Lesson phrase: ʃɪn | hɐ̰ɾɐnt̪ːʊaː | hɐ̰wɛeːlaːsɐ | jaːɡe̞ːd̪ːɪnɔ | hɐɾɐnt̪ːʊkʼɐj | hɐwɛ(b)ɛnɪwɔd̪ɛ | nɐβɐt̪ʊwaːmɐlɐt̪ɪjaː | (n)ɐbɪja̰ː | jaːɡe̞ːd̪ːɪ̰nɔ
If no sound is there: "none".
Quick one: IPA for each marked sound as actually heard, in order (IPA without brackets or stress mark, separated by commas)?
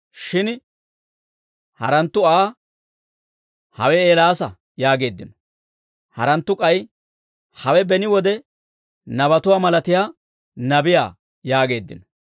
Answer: b, n